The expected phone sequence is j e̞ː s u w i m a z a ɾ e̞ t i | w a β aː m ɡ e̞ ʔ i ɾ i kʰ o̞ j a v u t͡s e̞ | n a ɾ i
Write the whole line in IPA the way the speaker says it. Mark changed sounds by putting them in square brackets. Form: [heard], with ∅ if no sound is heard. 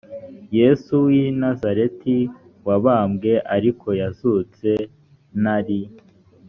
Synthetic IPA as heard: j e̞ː s u w i [n] a z a ɾ e̞ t i | w a β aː m ɡ e̞ ʔ [a] ɾ i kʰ o̞ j a [z] u t͡s e̞ | n a ɾ i